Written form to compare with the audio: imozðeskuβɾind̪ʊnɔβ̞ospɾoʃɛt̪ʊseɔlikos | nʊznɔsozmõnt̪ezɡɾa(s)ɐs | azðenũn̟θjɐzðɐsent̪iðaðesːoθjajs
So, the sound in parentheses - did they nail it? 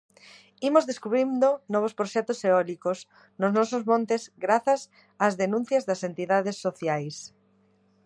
no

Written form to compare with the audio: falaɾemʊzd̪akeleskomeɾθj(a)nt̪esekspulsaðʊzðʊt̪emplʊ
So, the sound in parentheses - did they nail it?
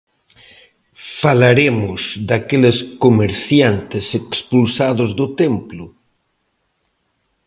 yes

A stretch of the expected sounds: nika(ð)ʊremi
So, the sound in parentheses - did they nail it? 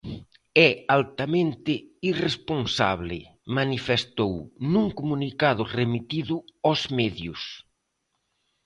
yes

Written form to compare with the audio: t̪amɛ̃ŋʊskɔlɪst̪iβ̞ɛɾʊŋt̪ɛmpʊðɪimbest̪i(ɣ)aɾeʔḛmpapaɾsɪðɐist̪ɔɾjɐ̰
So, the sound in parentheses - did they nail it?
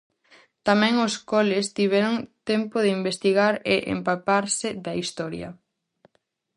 yes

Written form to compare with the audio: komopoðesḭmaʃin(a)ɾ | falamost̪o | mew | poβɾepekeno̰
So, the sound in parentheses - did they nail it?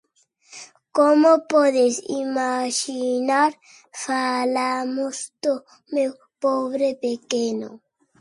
yes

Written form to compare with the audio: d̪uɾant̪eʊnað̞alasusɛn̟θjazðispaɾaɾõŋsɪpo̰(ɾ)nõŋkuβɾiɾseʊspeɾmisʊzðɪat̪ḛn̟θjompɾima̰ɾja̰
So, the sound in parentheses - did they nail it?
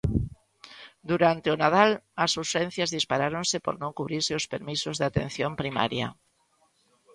yes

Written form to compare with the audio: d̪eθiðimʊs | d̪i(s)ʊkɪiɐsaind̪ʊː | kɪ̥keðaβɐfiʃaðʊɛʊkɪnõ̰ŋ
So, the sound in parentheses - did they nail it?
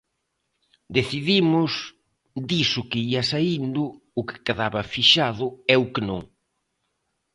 yes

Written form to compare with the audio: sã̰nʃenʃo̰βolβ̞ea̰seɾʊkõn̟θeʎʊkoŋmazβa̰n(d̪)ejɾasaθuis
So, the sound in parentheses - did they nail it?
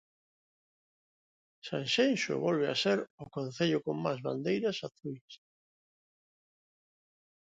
yes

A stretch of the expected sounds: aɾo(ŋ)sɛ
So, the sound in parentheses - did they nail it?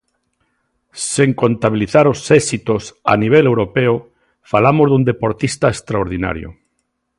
no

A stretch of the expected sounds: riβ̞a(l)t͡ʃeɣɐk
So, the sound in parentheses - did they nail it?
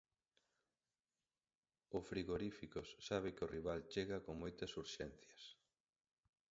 yes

